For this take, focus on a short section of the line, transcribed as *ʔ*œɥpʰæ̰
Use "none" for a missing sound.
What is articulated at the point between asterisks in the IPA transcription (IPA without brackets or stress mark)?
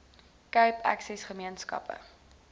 k